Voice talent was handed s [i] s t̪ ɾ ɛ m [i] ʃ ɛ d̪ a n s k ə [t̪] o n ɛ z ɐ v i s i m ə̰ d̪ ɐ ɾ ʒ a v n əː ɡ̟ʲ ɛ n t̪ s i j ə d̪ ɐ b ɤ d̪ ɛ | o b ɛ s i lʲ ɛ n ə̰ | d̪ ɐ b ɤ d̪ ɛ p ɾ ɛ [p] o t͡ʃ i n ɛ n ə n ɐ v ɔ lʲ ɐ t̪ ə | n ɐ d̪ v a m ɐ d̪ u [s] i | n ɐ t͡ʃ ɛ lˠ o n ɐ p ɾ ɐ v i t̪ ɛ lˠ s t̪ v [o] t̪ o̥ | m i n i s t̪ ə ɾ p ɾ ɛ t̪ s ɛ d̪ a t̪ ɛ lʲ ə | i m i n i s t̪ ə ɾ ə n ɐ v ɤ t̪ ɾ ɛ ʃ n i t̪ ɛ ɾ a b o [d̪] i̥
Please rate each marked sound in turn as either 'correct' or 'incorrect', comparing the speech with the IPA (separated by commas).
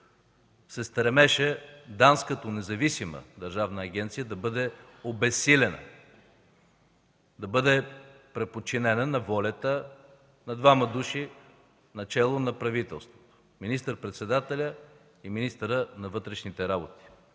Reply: incorrect, incorrect, correct, correct, incorrect, correct, incorrect